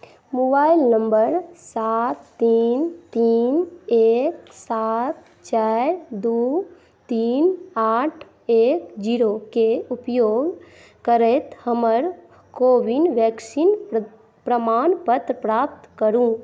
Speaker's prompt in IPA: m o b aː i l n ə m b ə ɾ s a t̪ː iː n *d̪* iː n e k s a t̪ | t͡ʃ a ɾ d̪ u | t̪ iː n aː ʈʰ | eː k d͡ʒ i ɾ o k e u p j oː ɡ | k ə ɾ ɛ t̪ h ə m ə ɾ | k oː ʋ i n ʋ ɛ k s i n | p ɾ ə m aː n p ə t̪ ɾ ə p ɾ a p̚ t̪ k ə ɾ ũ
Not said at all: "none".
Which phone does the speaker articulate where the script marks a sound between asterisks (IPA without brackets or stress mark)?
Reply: t̪